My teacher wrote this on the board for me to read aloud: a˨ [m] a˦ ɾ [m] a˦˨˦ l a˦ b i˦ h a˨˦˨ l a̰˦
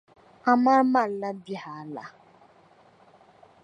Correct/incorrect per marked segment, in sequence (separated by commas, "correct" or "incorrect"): correct, correct